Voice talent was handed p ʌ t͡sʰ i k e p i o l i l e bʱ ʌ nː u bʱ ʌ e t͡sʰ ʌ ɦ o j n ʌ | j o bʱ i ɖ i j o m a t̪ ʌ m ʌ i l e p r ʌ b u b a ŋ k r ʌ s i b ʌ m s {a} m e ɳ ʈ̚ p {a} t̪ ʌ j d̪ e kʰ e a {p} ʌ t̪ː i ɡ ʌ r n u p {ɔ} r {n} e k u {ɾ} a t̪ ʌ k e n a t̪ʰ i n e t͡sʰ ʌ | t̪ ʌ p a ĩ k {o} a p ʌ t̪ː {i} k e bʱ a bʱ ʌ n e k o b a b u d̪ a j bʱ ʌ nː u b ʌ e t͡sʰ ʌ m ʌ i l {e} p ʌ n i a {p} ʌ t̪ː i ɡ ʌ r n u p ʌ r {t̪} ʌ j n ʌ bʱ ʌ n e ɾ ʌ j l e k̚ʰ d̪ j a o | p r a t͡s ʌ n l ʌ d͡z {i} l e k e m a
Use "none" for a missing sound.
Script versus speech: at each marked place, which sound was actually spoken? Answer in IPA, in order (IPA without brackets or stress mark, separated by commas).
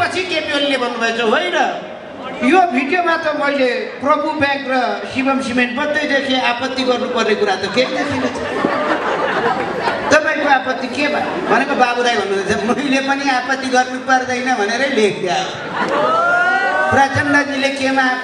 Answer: i, ʌ, p, ʌ, n, ɾ, o, i, e, p, d̪, i